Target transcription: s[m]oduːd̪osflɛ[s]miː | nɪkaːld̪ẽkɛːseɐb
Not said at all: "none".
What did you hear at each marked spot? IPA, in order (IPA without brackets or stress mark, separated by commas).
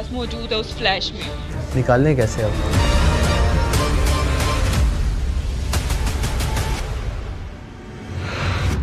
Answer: m, ʃ